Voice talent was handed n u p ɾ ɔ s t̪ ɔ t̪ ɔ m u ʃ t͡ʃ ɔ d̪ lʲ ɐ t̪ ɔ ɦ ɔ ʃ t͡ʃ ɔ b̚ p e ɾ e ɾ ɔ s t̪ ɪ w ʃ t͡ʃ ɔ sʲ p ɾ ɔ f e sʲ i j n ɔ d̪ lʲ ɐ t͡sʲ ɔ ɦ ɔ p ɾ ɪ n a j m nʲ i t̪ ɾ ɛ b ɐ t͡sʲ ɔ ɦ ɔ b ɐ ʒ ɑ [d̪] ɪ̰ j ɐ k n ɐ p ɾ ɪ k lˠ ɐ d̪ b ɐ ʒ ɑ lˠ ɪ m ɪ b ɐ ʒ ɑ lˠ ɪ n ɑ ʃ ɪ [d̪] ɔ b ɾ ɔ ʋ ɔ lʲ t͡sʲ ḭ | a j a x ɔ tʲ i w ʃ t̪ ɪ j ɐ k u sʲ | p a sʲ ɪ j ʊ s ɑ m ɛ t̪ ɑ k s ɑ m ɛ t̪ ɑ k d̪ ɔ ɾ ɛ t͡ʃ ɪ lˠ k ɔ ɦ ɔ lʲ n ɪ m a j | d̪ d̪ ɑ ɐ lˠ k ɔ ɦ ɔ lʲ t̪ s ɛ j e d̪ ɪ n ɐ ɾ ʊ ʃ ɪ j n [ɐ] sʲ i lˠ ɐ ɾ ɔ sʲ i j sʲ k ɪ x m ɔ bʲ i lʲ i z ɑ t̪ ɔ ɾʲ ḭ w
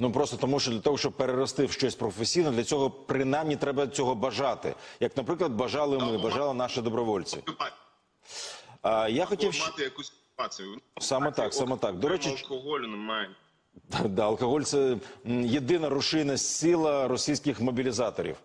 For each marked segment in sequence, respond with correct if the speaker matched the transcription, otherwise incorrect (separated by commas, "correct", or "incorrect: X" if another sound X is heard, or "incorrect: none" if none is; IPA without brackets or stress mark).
incorrect: t̪, correct, correct